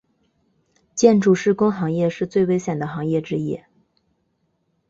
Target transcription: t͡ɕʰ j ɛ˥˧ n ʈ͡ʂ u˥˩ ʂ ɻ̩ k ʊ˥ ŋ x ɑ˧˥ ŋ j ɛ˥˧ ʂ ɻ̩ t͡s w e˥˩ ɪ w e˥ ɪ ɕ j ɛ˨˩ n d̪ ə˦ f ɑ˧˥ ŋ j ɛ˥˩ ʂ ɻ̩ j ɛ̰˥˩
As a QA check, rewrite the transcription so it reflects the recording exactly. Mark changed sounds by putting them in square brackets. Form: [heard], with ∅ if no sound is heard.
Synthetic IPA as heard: [t͡ɕ] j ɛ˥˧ n ʈ͡ʂ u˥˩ ʂ ɻ̩ k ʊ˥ ŋ x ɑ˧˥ ŋ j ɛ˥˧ ʂ ɻ̩ t͡s w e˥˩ ɪ w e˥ ɪ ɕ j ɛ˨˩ n d̪ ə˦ [x] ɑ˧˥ ŋ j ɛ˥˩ [ʈ͡ʂ] ɻ̩ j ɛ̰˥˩